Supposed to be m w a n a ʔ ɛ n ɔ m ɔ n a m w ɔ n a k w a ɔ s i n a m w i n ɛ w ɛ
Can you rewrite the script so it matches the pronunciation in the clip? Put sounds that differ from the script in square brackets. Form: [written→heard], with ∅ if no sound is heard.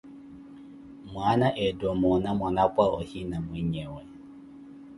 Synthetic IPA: m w a n a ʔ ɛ [n→d] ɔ m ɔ n a m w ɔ n a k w a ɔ [s→h] i n a m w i [n→ɲ] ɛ w ɛ